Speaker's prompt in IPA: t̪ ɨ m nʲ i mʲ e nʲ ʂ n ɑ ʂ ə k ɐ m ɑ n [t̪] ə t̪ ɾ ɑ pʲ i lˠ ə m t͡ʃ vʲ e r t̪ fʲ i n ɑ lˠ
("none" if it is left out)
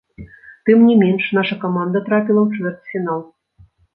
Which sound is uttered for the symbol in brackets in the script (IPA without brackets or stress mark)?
d̪